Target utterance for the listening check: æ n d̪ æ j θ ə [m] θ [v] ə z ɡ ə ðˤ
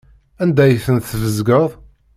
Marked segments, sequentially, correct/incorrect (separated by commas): incorrect, correct